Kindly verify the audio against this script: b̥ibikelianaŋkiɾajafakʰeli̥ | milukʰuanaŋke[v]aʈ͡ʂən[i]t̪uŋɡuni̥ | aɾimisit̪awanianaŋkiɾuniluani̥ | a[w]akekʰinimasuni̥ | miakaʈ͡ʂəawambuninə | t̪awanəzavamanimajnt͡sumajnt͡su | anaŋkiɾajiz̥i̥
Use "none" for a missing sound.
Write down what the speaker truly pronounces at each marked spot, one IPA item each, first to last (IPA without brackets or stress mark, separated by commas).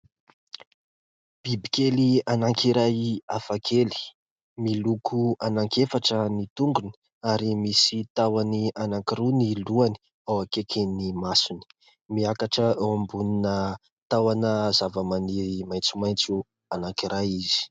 f, i, w